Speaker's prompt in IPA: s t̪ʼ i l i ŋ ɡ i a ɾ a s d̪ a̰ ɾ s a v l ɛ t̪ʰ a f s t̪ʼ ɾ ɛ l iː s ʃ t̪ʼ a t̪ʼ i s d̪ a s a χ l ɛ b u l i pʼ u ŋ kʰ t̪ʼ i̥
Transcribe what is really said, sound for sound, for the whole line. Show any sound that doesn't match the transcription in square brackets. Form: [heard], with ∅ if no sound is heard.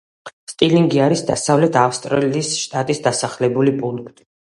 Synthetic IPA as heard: s t̪ʼ i l i ŋ ɡ i a ɾ [i] s d̪ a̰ [∅] s a v l ɛ t̪ʰ a f s t̪ʼ ɾ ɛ l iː s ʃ t̪ʼ a t̪ʼ i s d̪ a s a χ l ɛ b u l i pʼ u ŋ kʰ t̪ʼ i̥